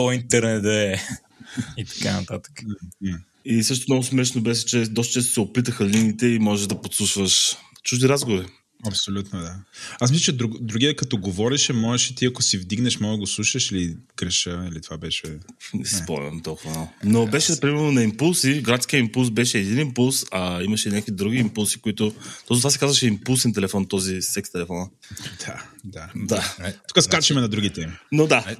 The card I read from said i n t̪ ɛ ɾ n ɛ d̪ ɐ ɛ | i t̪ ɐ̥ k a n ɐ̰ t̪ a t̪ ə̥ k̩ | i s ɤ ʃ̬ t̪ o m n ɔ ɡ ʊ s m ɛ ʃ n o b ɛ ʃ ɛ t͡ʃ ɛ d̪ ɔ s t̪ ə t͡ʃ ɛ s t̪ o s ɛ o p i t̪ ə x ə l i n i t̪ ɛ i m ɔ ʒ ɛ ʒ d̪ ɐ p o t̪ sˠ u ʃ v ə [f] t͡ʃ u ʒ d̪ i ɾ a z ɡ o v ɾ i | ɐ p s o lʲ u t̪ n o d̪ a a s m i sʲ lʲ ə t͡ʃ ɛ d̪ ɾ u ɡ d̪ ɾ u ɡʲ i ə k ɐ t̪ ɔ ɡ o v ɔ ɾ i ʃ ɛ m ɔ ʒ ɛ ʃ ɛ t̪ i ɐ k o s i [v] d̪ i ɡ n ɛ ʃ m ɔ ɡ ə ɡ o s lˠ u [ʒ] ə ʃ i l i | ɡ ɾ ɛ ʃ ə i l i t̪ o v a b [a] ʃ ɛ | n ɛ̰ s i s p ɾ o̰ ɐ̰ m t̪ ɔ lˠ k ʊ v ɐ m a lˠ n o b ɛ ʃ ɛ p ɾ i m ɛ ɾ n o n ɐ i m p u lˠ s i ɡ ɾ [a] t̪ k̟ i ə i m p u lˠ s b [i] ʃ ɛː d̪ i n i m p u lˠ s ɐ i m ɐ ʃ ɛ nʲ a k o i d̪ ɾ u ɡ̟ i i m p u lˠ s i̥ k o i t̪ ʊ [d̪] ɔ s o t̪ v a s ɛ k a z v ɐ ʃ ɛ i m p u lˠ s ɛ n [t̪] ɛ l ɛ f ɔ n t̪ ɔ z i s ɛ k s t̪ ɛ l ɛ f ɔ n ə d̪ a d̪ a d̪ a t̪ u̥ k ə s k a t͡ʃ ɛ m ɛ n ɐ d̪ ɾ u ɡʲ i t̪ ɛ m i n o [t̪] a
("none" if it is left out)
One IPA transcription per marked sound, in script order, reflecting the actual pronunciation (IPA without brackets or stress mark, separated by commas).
ʃ, v, ʃ, ɛ, a, ɛ, t̪, t̪, d̪